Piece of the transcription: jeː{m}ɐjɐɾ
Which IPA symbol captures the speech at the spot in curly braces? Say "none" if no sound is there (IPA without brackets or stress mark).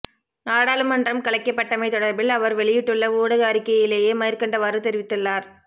m